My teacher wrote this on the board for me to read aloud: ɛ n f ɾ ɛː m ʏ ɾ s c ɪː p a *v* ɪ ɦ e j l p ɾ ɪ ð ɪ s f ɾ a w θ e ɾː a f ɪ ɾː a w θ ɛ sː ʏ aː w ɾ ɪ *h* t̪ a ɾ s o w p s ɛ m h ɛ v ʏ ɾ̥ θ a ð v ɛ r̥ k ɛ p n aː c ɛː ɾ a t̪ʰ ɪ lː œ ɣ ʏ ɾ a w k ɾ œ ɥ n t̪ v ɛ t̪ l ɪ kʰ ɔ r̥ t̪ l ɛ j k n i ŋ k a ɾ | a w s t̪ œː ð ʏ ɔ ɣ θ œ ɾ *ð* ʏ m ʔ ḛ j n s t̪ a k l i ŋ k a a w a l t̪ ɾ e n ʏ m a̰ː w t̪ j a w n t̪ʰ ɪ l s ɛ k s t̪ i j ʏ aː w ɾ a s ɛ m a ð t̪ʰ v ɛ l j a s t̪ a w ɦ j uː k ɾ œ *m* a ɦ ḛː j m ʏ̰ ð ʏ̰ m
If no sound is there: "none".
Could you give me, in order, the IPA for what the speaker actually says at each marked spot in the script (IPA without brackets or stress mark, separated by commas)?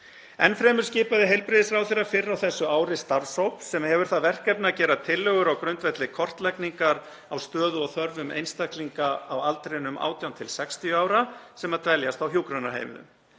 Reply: ð, s, v, n